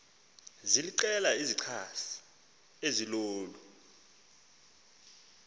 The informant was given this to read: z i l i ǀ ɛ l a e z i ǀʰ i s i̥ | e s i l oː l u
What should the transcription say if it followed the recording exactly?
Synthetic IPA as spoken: z i l i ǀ ɛ l a i z i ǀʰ a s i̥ | e z i l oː l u